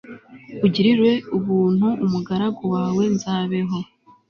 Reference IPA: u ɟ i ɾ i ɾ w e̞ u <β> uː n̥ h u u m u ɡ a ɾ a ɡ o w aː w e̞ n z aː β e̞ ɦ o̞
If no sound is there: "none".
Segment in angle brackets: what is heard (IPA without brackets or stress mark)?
β